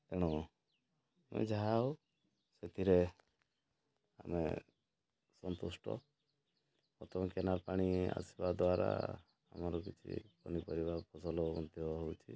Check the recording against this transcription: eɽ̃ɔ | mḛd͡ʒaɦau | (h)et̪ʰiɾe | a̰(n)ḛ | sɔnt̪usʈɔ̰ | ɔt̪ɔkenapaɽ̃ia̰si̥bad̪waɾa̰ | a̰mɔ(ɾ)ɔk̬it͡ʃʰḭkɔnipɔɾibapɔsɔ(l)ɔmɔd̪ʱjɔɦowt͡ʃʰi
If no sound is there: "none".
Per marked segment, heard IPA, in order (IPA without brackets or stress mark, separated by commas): s, m, ɾ, l